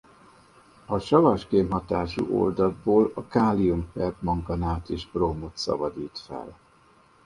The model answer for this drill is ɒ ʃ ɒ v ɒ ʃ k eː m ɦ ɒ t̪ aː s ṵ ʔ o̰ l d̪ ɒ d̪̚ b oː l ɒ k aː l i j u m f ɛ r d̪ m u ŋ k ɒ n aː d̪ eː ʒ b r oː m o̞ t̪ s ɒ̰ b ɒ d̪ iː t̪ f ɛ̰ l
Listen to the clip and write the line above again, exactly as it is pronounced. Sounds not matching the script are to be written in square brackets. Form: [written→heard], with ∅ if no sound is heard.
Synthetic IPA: ɒ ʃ ɒ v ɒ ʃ k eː m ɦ ɒ t̪ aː [s→ʃ] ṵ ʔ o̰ l d̪ ɒ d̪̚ b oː l ɒ k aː l i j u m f ɛ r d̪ m [u→ɒ] ŋ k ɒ n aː [d̪→t̪] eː ʒ b r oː m o̞ t̪ s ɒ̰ b ɒ d̪ iː t̪ f ɛ̰ l